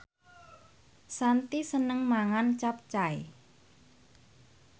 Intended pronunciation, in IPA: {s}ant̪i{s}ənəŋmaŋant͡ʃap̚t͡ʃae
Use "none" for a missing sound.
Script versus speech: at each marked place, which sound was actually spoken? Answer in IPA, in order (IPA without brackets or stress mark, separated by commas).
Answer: s, s